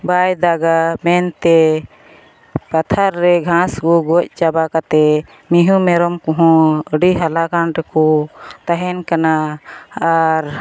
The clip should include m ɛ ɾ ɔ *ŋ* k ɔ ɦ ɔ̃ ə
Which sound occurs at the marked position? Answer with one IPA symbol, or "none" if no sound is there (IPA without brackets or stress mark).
m